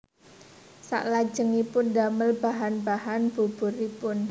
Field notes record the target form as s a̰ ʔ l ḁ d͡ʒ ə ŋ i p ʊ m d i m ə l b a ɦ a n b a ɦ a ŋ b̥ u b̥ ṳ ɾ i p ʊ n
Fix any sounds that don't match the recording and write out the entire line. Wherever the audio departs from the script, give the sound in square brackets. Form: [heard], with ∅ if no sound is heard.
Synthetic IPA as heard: s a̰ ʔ l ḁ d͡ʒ ə ŋ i p ʊ [n] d [a] m ə l b a ɦ a n b a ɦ a [n] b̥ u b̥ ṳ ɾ i p ʊ n